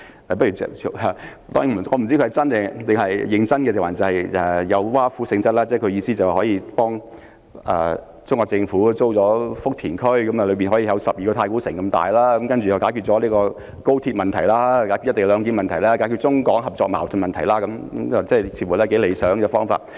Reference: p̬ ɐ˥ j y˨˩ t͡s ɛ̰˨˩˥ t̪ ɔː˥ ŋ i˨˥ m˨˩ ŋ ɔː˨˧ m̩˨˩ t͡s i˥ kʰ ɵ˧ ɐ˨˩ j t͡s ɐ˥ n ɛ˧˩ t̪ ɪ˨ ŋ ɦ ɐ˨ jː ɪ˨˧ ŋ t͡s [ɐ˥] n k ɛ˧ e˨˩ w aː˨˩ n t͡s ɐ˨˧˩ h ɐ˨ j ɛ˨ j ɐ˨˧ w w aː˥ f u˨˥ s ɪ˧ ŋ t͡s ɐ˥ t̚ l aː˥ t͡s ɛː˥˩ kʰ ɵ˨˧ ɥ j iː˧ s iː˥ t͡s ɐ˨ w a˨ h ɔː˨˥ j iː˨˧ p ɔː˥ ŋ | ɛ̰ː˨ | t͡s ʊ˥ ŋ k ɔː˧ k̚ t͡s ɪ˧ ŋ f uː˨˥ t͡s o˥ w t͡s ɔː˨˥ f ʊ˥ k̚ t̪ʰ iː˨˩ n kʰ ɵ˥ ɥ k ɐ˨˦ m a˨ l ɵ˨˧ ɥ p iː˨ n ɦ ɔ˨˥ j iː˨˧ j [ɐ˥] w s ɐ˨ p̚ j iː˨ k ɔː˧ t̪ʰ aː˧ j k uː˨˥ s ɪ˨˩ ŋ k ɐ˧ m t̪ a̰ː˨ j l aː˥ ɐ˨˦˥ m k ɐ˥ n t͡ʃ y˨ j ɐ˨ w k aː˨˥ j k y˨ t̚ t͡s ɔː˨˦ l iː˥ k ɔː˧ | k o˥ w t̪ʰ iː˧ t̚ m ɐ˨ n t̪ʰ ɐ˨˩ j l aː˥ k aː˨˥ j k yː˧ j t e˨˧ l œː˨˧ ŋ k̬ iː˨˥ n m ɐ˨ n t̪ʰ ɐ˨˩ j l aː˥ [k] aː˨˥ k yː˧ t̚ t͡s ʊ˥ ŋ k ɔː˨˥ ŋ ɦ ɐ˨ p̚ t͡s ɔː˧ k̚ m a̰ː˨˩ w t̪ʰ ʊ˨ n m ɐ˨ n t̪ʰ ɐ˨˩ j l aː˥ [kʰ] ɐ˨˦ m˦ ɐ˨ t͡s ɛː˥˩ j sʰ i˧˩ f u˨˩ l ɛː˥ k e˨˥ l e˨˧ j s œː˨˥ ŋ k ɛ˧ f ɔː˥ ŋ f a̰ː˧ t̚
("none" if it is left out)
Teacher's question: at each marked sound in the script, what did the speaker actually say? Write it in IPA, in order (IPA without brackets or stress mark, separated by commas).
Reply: ɐ˥, ɐ˨˧, k, k